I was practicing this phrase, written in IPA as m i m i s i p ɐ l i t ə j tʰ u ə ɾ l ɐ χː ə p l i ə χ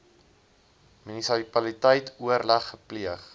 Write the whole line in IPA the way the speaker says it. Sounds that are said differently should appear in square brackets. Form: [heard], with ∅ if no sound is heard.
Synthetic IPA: m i [n] i s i p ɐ l i t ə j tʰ u ə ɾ l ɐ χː ə p l i ə χ